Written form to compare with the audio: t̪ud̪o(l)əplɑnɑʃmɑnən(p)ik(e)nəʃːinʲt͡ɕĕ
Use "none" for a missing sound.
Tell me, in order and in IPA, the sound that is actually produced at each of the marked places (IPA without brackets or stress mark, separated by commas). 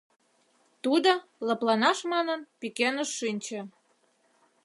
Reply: l, p, e